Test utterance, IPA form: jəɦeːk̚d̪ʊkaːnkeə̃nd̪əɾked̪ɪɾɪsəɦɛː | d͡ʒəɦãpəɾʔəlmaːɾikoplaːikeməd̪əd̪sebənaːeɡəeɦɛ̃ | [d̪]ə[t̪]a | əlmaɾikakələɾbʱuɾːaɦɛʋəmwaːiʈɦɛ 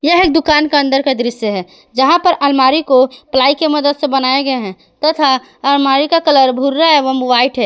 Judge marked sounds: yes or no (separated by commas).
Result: no, no